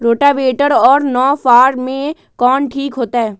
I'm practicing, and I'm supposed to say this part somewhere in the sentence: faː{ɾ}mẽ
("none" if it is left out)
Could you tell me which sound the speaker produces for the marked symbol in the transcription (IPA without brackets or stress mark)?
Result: ɾ